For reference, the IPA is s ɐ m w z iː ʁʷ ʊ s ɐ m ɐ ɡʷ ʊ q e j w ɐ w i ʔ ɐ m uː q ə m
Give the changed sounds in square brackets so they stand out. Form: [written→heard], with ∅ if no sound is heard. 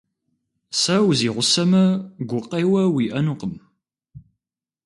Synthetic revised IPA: s ɐ [m→∅] w z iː ʁʷ ʊ s ɐ m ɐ ɡʷ ʊ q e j w ɐ w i ʔ ɐ [m→n] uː q ə m